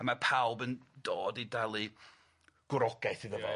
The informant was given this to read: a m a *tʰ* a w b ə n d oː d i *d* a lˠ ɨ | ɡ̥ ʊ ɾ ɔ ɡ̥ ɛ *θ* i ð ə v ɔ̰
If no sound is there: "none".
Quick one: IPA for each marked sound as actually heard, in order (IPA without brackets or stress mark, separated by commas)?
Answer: pʰ, d, θ